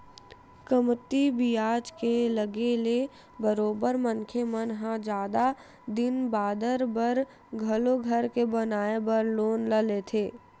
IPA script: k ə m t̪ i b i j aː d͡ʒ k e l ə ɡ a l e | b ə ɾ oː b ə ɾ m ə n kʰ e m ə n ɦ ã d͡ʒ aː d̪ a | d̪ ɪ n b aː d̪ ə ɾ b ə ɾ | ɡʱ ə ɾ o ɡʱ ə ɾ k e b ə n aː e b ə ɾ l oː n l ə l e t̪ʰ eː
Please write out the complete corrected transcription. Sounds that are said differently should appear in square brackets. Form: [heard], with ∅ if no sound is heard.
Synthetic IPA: k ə m t̪ i b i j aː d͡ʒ k e l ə ɡ [e] l e | b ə ɾ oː b ə ɾ m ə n kʰ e m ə n ɦ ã d͡ʒ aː d̪ a | d̪ ɪ n b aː d̪ ə ɾ b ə ɾ | ɡʱ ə [l] o ɡʱ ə ɾ k e b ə n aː e b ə ɾ l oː n l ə l e t̪ʰ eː